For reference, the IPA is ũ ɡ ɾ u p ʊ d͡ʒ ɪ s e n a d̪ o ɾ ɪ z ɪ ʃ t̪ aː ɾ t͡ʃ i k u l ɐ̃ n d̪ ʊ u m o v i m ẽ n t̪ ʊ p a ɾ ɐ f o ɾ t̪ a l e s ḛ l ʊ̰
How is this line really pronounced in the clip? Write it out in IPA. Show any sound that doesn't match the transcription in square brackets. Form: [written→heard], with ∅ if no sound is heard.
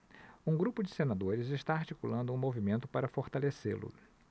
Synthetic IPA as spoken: ũ ɡ ɾ u p ʊ d͡ʒ ɪ s e n a d̪ o ɾ ɪ z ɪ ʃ t̪ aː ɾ t͡ʃ i k u l ɐ̃ n d̪ ʊ [u→ũ] m o v i m ẽ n t̪ ʊ p a ɾ ɐ f o ɾ t̪ a l e s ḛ l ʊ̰

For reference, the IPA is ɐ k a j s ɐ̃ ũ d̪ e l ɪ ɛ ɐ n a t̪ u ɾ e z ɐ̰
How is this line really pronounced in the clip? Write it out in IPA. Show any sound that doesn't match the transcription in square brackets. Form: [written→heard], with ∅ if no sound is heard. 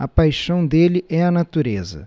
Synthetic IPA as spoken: ɐ [k→p] a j [s→ʃ] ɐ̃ [ũ→w̃] d̪ e l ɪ ɛ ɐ n a t̪ u ɾ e z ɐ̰

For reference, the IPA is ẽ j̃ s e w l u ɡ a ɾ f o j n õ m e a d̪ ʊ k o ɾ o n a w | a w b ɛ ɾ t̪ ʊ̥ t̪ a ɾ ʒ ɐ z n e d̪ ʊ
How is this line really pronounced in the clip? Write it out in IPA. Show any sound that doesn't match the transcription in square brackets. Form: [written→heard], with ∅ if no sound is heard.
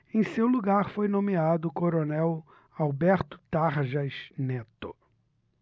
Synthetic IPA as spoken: ẽ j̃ s e w l u ɡ a ɾ f o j n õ m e a d̪ ʊ k o ɾ o n [a→ɛ] w | a w b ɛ ɾ t̪ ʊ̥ t̪ a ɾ ʒ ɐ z n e [d̪→t̪] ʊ

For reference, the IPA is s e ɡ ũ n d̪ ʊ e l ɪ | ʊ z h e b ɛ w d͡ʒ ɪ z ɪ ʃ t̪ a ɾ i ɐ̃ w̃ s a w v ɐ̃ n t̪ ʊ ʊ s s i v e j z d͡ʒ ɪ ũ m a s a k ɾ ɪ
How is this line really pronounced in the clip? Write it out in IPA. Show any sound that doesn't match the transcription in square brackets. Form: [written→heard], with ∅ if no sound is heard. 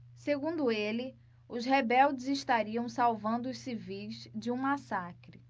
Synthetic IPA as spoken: s e ɡ ũ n d̪ ʊ e l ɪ | ʊ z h e b ɛ w d͡ʒ ɪ z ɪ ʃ t̪ a ɾ i ɐ̃ w̃ s a w v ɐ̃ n [t̪→d̪] ʊ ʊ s s i v [e→i] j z d͡ʒ ɪ ũ m a s a k ɾ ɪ

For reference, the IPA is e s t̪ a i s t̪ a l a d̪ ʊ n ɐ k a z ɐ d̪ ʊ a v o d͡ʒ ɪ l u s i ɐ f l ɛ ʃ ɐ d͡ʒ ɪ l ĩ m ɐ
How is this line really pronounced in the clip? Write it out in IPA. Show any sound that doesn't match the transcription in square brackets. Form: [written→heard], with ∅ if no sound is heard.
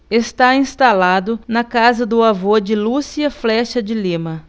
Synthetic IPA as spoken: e s t̪ a [i→ĩ] s t̪ a l a d̪ ʊ n ɐ k a z ɐ d̪ ʊ a v o d͡ʒ ɪ l u s i ɐ f l ɛ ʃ ɐ d͡ʒ ɪ l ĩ m ɐ

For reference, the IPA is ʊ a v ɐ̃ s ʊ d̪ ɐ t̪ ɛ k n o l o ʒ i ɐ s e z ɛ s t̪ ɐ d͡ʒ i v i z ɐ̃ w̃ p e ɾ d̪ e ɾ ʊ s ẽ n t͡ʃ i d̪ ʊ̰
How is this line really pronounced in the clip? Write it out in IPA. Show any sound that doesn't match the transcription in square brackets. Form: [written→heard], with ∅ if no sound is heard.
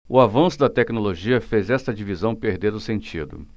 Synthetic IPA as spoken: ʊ a v ɐ̃ s ʊ d̪ ɐ t̪ ɛ k n o l o ʒ i ɐ [s→f] e z ɛ s t̪ ɐ d͡ʒ i v i z ɐ̃ w̃ p e ɾ d̪ e ɾ ʊ s ẽ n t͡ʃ i d̪ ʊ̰

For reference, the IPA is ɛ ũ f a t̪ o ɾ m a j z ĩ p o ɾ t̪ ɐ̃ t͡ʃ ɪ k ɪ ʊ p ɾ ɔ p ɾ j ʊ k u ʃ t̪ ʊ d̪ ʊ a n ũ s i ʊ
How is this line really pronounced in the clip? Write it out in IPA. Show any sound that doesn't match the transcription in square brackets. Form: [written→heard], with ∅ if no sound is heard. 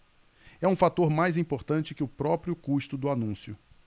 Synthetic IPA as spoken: ɛ ũ f a t̪ o ɾ m a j z ĩ p o ɾ t̪ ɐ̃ t͡ʃ ɪ k ɪ ʊ p ɾ ɔ p ɾ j ʊ k u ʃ t̪ ʊ d̪ ʊ a n ũ s [i→j] ʊ

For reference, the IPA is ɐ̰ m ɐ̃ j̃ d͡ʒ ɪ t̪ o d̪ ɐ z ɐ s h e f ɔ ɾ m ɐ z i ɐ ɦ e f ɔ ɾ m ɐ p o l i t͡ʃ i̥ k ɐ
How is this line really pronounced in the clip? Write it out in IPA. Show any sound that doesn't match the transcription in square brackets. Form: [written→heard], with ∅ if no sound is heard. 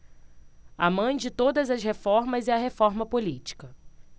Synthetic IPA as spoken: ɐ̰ m ɐ̃ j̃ d͡ʒ ɪ t̪ o d̪ ɐ z ɐ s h e f ɔ ɾ m ɐ z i ɐ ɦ e f ɔ ɾ m ɐ p o l i t͡ʃ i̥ k ɐ

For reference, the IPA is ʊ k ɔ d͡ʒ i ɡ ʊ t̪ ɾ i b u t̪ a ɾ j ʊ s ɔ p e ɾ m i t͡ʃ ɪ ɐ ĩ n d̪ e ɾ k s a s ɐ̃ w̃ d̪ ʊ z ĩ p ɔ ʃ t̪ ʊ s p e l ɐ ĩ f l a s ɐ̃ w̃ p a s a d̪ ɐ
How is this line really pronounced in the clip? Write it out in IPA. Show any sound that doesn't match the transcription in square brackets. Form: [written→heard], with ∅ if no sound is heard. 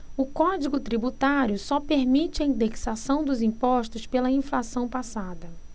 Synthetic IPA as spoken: ʊ k ɔ d͡ʒ i ɡ ʊ t̪ ɾ i b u t̪ a ɾ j ʊ s ɔ p e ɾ m i t͡ʃ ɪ ɐ ĩ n d̪ e [ɾ→∅] k s a s ɐ̃ w̃ d̪ ʊ z ĩ p ɔ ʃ t̪ ʊ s p e l ɐ ĩ f l a s ɐ̃ w̃ p a s a d̪ ɐ

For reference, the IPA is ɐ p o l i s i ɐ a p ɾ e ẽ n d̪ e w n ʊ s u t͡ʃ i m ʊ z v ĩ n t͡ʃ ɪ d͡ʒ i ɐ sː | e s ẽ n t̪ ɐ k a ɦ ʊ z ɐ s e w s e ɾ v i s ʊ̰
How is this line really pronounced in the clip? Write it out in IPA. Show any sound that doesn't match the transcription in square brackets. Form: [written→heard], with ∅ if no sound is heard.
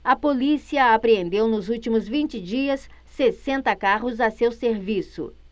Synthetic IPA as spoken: ɐ p o l i s i ɐ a p ɾ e ẽ n d̪ e w n ʊ [s→z] u t͡ʃ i m ʊ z v ĩ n t͡ʃ ɪ d͡ʒ i ɐ sː | e s ẽ n t̪ ɐ k a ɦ ʊ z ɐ s e w s e ɾ v i s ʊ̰

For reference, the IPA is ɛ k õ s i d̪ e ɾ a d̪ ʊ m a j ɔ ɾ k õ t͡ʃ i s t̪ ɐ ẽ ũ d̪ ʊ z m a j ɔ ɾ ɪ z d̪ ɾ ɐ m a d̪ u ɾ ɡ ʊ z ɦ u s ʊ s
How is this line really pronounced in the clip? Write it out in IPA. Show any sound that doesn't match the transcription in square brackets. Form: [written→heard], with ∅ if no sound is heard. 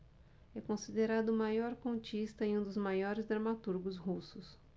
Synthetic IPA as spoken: ɛ k õ s i d̪ e ɾ a d̪ ʊ m a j ɔ ɾ k õ t͡ʃ i s t̪ ɐ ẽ ũ d̪ ʊ z m a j ɔ ɾ ɪ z d̪ ɾ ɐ m a [d̪→t̪] u ɾ ɡ ʊ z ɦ u s ʊ s

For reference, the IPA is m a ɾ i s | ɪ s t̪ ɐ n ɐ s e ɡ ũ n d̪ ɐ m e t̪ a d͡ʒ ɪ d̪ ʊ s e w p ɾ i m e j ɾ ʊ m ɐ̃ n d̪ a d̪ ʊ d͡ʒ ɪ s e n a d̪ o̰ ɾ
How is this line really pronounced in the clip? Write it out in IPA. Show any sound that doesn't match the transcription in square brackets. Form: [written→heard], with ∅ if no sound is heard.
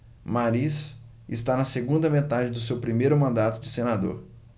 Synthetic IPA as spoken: m a ɾ i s | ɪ s t̪ [ɐ→a] n ɐ s e ɡ ũ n d̪ ɐ m e t̪ a d͡ʒ ɪ d̪ ʊ s e w p ɾ i m e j ɾ ʊ m ɐ̃ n d̪ a [d̪→t̪] ʊ d͡ʒ ɪ s e n a d̪ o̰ ɾ

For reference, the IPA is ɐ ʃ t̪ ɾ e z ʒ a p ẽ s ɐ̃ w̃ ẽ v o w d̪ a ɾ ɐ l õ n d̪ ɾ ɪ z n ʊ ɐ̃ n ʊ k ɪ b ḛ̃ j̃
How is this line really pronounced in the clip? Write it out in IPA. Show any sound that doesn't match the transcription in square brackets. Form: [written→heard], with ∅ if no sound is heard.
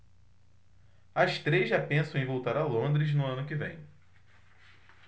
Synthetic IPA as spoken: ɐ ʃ t̪ ɾ e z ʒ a p ẽ s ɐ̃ w̃ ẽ v o w [d̪→t̪] a ɾ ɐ l õ n d̪ ɾ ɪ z n ʊ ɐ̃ n ʊ k ɪ [b→v] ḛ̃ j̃

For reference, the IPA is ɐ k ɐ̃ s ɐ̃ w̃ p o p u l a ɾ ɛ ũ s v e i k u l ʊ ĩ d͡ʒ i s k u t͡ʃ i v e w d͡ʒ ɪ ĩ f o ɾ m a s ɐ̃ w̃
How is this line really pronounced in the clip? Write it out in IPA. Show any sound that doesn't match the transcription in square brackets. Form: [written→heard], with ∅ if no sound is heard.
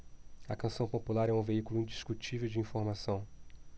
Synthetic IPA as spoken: ɐ k ɐ̃ s ɐ̃ w̃ p o p u l a ɾ ɛ ũ [s→∅] v e i k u l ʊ ĩ d͡ʒ i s k u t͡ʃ i v e w d͡ʒ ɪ ĩ f o ɾ m a s ɐ̃ w̃

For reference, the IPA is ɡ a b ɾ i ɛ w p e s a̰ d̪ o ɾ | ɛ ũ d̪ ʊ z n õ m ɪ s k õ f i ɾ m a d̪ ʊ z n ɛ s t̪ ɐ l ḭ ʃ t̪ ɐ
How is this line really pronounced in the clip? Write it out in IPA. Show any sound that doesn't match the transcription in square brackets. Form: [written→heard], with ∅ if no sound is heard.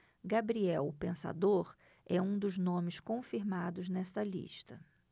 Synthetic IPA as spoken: ɡ a b ɾ i ɛ w p [e→ẽ] s a̰ d̪ o ɾ | ɛ ũ d̪ ʊ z n õ m ɪ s k õ f i ɾ m a d̪ ʊ z n ɛ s t̪ ɐ l ḭ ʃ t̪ ɐ

